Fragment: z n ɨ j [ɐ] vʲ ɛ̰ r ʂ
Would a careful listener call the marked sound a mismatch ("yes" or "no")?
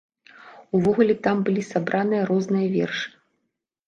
no